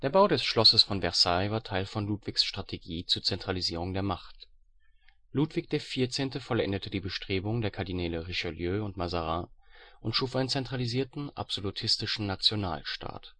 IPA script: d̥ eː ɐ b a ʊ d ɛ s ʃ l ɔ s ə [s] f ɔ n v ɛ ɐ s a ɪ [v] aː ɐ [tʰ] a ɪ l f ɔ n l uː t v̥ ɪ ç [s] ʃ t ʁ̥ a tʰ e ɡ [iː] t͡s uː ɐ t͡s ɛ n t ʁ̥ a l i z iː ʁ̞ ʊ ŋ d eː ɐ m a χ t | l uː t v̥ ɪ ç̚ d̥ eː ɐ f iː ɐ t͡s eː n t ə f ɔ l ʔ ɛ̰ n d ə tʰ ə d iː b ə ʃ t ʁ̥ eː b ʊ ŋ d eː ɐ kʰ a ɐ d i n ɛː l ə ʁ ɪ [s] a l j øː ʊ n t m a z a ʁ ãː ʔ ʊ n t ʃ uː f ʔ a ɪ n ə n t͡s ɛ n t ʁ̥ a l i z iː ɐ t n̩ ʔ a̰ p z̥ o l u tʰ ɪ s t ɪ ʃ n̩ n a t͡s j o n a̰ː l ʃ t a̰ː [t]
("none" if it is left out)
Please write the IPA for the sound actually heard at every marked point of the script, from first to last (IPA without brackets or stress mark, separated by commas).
s, v, tʰ, s, iː, ʃ, t